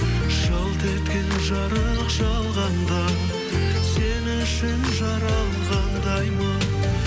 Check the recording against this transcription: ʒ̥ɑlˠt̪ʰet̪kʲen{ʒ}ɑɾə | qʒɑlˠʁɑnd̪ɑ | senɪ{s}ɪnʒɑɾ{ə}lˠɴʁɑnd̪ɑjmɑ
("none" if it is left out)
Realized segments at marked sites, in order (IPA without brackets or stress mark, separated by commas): ʒ, ʃ, ɑ